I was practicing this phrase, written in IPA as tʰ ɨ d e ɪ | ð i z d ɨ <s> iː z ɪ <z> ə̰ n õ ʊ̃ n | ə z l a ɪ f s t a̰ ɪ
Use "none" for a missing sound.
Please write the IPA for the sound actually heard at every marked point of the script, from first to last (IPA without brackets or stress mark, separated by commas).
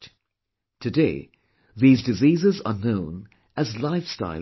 z, z